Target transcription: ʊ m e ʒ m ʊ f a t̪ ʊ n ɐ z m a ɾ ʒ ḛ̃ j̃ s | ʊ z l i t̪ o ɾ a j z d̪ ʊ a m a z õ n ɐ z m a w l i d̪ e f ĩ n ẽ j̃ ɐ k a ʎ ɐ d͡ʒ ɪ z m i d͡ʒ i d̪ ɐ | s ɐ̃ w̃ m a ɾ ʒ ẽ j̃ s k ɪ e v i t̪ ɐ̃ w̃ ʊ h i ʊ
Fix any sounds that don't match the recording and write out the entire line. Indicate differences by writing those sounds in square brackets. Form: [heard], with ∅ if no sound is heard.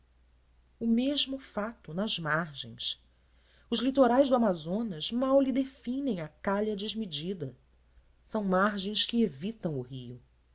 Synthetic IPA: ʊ m e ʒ m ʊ f a t̪ ʊ n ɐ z m a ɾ ʒ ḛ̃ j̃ s | ʊ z l i t̪ o ɾ a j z d̪ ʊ a m a z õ n ɐ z m a w l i d̪ e f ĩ n ẽ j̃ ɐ k a ʎ ɐ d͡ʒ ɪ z m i d͡ʒ i d̪ ɐ | s ɐ̃ w̃ m a ɾ ʒ ẽ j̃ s k ɪ e v i t̪ ɐ̃ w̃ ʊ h i ʊ